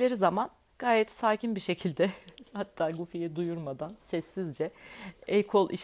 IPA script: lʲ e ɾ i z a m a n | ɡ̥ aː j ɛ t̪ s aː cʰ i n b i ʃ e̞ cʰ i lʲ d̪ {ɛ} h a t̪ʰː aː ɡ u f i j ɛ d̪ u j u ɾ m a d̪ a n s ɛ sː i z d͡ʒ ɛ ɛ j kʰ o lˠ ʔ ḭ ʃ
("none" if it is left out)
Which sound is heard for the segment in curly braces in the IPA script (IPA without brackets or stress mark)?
ɛ